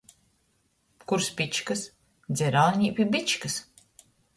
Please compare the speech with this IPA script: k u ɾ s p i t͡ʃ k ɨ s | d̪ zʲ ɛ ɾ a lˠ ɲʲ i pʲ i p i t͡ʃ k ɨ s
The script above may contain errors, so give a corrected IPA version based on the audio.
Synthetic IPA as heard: k u ɾ s p i t͡ʃ k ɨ s | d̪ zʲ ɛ ɾ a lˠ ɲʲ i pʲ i b i t͡ʃ k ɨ s